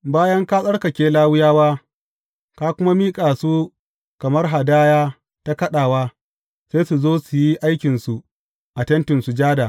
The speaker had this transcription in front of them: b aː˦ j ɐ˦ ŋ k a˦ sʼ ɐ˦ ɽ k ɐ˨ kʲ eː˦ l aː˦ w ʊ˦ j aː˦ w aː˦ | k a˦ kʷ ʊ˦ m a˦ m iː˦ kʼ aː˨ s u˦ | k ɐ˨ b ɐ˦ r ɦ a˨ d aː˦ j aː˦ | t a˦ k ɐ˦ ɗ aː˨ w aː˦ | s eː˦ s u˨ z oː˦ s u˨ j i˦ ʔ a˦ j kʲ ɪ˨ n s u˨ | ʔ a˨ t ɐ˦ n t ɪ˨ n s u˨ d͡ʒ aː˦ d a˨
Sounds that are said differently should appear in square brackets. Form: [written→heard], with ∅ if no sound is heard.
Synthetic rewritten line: b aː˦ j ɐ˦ ŋ k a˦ sʼ ɐ˦ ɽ k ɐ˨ kʲ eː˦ l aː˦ w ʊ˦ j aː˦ w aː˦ | k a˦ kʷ ʊ˦ m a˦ m iː˦ kʼ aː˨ s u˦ | k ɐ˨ [b→m] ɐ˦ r ɦ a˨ d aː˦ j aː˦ | t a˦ k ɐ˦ ɗ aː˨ w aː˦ | s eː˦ s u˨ z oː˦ s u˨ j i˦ ʔ a˦ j kʲ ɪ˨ n s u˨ | ʔ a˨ t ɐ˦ n t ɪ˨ n s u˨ d͡ʒ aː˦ d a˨